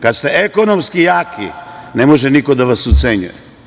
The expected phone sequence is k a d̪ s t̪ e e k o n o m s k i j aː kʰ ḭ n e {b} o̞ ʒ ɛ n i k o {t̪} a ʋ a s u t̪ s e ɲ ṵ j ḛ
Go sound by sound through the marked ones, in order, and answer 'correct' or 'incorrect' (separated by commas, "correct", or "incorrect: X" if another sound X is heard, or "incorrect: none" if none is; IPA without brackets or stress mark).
incorrect: m, incorrect: d̪